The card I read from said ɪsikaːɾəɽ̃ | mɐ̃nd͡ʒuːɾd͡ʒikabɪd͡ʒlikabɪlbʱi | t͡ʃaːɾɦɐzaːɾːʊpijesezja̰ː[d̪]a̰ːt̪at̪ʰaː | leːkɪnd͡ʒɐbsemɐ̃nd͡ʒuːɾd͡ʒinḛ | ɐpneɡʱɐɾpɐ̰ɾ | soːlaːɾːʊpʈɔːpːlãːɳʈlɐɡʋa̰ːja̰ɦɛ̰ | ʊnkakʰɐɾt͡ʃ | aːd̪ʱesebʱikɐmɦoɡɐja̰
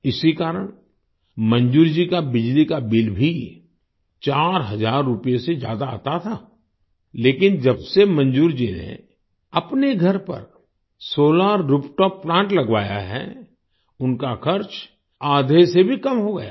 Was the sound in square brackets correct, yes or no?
yes